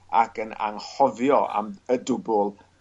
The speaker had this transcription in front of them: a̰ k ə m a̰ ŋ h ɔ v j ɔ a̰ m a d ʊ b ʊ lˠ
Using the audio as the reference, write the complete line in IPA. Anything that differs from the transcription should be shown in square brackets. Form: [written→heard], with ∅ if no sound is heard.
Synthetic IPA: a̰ k ə [m→n] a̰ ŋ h ɔ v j ɔ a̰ m [a→ə] d ʊ b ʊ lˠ